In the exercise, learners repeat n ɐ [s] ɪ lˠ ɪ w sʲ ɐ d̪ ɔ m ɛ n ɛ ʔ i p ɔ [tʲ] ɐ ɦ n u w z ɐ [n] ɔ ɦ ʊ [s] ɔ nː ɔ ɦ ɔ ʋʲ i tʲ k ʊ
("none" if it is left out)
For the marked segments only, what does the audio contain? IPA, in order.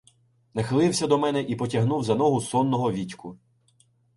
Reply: x, tʲ, n, s

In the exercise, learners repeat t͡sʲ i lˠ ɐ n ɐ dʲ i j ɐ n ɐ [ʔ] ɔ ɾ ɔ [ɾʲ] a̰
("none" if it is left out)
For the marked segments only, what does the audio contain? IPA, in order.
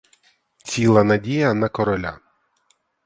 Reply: k, lʲ

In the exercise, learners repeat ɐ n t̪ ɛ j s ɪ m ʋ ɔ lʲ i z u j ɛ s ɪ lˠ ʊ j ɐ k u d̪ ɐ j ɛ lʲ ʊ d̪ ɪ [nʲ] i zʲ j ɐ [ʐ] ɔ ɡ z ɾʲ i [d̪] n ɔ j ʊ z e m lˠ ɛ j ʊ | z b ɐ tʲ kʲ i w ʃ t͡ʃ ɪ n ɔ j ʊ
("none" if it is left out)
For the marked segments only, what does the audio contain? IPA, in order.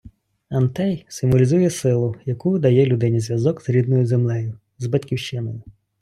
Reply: nʲ, z, d̪

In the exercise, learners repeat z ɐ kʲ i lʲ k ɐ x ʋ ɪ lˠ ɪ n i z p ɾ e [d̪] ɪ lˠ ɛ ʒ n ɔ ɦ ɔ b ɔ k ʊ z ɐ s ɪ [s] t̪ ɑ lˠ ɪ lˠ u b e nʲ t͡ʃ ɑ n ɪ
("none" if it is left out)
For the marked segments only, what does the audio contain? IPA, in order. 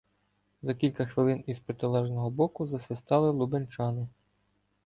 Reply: t̪, s

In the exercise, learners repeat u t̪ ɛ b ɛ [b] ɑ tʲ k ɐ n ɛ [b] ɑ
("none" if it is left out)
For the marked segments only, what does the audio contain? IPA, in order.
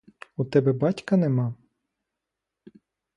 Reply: b, m

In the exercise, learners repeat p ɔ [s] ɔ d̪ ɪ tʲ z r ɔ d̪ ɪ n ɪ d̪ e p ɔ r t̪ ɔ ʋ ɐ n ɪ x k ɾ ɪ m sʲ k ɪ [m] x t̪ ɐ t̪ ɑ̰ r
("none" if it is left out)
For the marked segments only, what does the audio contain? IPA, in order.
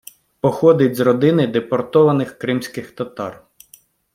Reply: x, none

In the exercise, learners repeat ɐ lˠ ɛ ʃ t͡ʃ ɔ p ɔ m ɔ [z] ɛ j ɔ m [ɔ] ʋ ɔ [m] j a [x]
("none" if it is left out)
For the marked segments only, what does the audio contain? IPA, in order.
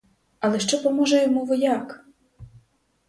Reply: ʒ, u, none, k

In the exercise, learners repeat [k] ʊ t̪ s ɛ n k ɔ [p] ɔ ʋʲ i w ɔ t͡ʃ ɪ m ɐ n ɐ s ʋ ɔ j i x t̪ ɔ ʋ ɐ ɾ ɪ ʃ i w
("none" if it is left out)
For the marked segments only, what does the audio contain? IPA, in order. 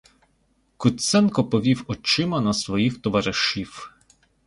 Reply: k, p

